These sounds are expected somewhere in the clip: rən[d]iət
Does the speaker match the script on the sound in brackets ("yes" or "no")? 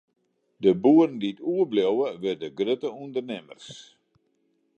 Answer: yes